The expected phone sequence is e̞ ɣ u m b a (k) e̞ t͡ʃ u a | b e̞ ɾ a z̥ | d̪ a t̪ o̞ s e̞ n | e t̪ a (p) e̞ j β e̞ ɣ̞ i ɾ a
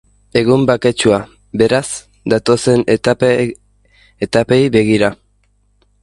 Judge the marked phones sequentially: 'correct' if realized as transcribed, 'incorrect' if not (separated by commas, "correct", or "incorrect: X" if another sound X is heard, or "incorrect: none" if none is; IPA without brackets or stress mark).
correct, correct